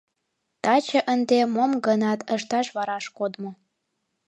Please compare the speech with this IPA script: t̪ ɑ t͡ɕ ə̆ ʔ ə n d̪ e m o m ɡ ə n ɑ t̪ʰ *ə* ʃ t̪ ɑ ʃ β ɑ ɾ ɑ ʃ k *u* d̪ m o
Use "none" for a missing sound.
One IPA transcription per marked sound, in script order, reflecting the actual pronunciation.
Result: ə, o

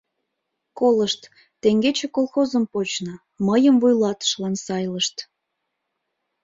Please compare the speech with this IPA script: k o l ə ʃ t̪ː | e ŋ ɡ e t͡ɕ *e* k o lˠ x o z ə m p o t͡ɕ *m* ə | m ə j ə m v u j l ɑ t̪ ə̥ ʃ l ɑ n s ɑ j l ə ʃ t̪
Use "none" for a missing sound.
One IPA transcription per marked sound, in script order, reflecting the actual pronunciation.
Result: e, n

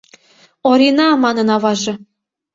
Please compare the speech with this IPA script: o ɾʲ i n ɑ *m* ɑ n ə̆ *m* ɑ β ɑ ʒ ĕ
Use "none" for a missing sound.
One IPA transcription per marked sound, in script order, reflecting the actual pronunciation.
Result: m, n

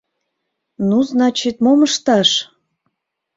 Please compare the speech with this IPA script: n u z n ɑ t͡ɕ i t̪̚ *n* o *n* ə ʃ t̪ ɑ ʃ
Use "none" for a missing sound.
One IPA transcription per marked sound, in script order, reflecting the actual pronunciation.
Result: m, m

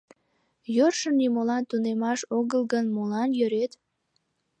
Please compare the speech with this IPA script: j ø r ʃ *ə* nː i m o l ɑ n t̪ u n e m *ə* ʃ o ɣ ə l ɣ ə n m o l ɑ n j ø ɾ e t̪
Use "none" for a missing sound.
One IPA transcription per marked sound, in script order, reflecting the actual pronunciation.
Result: ə, ɑ

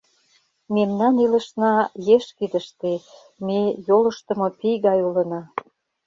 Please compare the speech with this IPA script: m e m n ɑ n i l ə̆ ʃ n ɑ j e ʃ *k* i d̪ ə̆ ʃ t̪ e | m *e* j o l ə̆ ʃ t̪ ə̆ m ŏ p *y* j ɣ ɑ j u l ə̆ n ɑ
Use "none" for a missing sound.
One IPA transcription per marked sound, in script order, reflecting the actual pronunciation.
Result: k, e, i

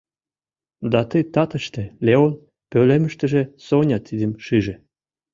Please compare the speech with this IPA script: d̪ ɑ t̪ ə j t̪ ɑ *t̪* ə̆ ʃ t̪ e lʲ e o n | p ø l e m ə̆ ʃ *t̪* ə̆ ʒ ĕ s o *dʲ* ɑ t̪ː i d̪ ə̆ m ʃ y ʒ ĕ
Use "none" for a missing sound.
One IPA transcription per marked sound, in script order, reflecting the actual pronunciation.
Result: t̪, t̪, nʲ

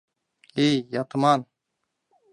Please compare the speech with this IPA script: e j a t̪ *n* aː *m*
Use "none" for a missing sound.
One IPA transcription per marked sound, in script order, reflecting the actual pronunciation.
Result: m, n

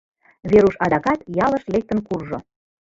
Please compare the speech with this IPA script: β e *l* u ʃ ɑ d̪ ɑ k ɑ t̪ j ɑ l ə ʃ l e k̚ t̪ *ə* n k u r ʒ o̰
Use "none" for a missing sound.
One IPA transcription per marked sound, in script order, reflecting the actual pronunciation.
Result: ɾ, ə

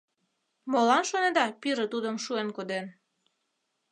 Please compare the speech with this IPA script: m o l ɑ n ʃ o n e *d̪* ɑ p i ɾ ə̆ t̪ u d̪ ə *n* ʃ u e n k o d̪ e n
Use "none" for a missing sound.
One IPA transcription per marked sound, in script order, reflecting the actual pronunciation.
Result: d̪, m

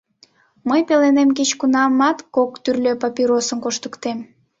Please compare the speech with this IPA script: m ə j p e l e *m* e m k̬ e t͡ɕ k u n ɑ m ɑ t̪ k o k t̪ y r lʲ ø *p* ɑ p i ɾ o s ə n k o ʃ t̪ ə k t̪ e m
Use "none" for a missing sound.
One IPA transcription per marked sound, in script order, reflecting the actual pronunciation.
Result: n, p

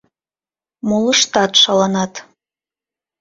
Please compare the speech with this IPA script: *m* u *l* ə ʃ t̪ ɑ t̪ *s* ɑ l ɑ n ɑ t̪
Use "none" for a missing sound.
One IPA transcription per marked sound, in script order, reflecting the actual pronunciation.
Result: m, l, ʃ

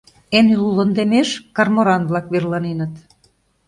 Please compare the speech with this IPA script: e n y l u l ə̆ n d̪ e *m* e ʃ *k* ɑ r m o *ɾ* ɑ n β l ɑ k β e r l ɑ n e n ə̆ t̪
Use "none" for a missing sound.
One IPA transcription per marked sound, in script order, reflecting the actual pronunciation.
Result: m, k, ɾ

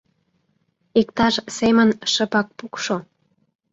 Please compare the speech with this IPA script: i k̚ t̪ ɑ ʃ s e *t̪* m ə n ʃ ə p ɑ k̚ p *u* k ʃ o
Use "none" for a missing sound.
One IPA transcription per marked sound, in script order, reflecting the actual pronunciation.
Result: none, u

